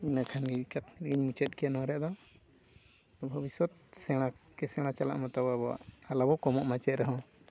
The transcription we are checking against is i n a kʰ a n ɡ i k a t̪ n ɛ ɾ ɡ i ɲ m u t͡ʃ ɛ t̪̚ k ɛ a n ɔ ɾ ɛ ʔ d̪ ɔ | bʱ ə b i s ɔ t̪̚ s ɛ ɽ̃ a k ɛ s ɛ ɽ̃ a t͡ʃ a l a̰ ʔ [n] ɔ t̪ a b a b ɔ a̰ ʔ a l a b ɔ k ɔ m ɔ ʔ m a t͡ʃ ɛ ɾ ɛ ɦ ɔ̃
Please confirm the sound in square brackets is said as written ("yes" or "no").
no